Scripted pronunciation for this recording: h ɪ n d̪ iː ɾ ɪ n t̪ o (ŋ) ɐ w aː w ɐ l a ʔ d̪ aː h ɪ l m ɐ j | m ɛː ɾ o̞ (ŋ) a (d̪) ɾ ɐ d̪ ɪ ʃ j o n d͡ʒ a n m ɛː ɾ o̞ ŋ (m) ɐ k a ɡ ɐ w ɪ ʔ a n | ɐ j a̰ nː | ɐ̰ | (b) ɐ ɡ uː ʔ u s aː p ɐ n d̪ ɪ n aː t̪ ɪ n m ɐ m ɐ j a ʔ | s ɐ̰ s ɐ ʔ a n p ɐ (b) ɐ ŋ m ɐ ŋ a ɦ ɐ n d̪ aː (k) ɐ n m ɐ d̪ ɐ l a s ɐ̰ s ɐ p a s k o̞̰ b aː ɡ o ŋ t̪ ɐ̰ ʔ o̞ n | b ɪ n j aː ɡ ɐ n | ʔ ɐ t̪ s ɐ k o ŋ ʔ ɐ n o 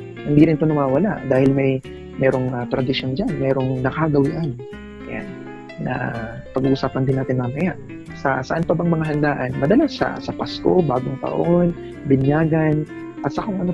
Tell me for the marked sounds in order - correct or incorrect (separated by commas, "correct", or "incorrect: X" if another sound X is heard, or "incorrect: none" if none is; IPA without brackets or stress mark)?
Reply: incorrect: n, correct, incorrect: t̪, incorrect: n, incorrect: p, correct, incorrect: ʔ